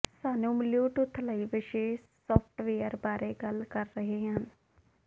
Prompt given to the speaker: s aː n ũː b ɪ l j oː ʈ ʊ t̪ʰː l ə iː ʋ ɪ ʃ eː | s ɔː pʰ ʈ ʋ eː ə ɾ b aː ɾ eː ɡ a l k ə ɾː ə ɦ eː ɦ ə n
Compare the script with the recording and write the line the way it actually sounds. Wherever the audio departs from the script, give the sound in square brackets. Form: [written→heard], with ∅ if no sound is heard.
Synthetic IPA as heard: s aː n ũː [b→m] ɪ l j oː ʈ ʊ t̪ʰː l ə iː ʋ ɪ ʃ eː | s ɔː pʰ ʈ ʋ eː ə ɾ b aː ɾ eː ɡ [a→ə] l k ə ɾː ə ɦ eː ɦ ə n